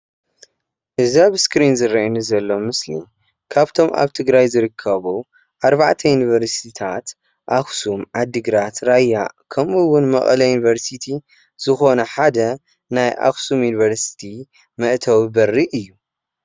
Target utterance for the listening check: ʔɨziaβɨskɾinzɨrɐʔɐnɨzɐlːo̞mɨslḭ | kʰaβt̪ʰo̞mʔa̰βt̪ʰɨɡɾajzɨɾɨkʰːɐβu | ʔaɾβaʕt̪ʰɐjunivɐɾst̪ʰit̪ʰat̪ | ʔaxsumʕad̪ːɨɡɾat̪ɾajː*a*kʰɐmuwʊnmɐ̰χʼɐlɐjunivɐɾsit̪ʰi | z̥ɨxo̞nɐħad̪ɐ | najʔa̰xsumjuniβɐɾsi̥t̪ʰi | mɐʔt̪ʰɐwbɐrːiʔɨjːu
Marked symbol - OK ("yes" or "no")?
yes